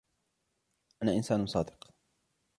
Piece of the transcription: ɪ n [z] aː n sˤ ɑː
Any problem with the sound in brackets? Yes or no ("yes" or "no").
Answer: yes